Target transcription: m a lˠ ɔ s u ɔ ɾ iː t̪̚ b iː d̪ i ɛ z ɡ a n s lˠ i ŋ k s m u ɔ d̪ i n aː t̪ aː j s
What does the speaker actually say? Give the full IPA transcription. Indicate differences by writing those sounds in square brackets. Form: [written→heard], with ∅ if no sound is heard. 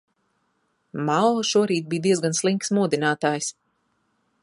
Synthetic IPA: m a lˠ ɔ [s→ʃ] u ɔ ɾ iː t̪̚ b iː d̪ i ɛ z ɡ a n s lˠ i ŋ k s m u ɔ d̪ i n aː t̪ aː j s